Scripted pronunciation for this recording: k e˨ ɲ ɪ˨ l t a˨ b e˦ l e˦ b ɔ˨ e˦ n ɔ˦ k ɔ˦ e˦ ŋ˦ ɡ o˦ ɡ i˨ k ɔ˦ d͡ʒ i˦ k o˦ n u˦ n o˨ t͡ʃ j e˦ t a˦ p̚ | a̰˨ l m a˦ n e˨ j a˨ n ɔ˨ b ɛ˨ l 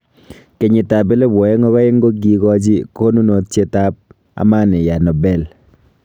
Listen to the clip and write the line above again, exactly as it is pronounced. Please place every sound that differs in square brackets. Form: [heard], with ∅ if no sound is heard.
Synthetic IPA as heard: k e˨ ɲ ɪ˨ [∅] t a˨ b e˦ l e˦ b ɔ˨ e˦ [ŋ] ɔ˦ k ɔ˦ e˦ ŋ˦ ɡ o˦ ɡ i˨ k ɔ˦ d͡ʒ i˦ k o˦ n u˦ n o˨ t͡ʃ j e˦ t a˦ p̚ | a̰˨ [∅] m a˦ n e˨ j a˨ n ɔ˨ b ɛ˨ l